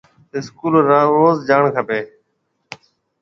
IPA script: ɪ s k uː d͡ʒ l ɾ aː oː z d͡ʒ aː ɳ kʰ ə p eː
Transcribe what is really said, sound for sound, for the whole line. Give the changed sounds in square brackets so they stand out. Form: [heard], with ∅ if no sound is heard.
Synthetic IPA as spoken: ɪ s k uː [∅] l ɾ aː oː z d͡ʒ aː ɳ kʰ ə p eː